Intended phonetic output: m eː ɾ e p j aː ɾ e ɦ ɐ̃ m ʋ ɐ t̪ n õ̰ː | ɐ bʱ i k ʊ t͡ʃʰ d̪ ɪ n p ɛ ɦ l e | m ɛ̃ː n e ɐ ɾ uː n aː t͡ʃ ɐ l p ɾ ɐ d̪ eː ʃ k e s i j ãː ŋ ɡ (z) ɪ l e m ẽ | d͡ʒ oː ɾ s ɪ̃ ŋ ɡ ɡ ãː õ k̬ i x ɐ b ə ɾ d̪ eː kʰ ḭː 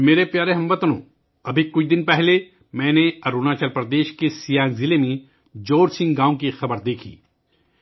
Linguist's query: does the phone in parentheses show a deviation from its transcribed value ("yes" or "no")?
no